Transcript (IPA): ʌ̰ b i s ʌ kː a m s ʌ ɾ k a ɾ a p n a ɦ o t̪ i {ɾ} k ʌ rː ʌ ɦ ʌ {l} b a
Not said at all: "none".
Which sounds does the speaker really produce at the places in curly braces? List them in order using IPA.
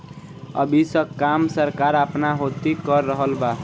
none, l

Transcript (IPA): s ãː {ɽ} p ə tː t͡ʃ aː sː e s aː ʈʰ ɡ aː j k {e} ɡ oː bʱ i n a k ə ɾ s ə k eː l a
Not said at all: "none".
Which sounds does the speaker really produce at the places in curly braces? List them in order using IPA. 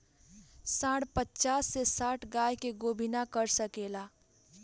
ɽ, e

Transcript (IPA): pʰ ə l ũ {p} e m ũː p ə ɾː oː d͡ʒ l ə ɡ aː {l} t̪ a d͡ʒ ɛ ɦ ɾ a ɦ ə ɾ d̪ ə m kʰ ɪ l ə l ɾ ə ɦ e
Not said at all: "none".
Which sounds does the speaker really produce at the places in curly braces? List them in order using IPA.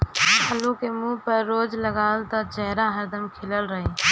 k, l

